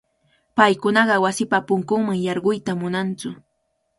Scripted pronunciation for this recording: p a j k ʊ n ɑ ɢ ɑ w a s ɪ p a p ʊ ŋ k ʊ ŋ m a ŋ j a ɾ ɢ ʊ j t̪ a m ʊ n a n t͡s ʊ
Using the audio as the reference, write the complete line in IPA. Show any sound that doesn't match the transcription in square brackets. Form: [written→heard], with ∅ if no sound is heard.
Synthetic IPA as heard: p a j k ʊ n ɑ ɢ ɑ w a s ɪ p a p ʊ ŋ k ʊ ŋ m a ŋ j [a→ɑ] ɾ ɢ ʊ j t̪ a m ʊ n a n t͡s ʊ